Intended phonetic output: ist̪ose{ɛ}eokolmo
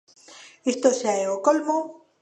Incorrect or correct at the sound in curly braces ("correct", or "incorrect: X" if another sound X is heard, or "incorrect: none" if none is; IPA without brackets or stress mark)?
incorrect: a